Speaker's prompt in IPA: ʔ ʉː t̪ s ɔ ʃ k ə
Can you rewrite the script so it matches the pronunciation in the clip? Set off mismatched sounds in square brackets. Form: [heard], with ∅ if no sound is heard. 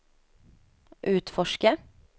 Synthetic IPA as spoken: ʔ ʉː t̪ [f] ɔ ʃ k ə

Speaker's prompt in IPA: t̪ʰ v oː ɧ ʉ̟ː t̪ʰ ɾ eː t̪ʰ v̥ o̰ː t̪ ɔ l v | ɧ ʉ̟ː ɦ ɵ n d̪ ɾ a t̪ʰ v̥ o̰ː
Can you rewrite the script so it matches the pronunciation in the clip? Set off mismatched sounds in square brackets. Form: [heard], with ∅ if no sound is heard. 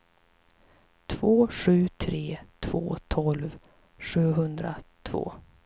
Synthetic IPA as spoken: t̪ʰ v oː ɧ ʉ̟ː t̪ʰ ɾ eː t̪ʰ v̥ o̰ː [t̪ʰ] ɔ l v | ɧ ʉ̟ː ɦ ɵ n d̪ ɾ a t̪ʰ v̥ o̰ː

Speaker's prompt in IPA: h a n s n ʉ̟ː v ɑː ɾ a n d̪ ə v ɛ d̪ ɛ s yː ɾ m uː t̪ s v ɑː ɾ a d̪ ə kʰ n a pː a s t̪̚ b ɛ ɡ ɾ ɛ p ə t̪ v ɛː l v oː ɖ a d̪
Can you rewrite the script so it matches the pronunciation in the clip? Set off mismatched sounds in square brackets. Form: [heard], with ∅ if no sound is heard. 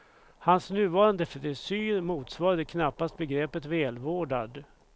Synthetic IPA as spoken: h a n s n ʉ̟ː v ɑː ɾ a n d̪ ə [f] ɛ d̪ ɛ s yː ɾ m uː t̪ s v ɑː ɾ a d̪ ə kʰ n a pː a s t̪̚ b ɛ ɡ ɾ ɛ p ə t̪ v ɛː l v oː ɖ a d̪

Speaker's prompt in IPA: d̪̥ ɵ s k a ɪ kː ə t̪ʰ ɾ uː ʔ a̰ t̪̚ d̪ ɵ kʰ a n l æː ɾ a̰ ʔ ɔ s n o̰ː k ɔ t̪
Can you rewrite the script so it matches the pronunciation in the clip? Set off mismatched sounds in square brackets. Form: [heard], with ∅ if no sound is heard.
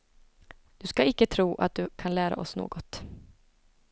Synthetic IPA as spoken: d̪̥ ɵ s k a ɪ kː ə t̪ʰ ɾ uː ʔ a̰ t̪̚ d̪ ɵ kʰ a n l æː ɾ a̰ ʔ ɔ s n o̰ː [ɡ] ɔ t̪

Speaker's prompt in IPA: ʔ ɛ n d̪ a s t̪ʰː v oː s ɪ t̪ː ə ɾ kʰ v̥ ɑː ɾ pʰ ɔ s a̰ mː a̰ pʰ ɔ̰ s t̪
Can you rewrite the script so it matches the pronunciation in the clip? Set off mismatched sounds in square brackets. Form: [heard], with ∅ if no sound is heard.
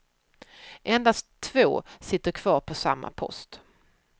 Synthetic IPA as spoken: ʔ ɛ n d̪ a s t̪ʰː v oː s ɪ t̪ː ə ɾ kʰ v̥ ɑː ɾ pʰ ɔ s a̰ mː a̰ pʰ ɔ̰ s t̪

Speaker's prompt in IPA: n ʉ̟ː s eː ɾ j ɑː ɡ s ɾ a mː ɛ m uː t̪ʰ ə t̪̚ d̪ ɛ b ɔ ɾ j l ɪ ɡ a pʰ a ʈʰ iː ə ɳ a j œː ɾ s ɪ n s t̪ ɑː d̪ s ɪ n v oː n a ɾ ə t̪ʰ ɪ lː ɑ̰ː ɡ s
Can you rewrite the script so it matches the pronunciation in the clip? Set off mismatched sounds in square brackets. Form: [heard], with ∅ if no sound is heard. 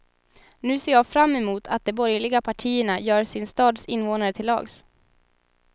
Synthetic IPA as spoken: n ʉ̟ː s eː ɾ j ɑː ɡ [f] ɾ a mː ɛ m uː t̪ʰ [a] t̪̚ d̪ ɛ b ɔ ɾ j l ɪ ɡ a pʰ a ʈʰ iː ə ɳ a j œː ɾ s ɪ n s t̪ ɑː d̪ s ɪ n v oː n a ɾ ə t̪ʰ ɪ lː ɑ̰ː ɡ s

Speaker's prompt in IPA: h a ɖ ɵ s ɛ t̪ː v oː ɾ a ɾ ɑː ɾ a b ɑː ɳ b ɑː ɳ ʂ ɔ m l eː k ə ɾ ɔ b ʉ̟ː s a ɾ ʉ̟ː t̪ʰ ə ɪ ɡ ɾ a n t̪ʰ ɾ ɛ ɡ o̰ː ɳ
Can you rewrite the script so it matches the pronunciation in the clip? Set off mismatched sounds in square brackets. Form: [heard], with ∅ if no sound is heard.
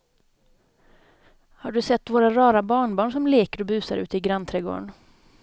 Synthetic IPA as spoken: h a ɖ ɵ s ɛ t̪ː v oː ɾ a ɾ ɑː ɾ a b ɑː ɳ b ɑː ɳ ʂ ɔ m l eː k ə ɾ ɔ b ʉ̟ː s a ɾ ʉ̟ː [t̪] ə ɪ ɡ ɾ a n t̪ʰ ɾ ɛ ɡ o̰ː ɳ

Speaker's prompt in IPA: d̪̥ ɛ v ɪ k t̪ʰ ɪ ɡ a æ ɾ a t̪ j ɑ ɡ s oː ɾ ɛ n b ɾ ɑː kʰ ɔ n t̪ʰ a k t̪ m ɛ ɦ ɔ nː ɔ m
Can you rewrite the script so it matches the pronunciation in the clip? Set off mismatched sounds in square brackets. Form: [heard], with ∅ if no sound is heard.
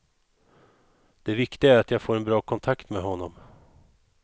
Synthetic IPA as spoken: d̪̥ ɛ v ɪ k [t̪] ɪ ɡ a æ ɾ a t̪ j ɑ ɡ [f] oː ɾ ɛ n b ɾ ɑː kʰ ɔ n t̪ʰ a k t̪ m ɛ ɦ ɔ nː ɔ m

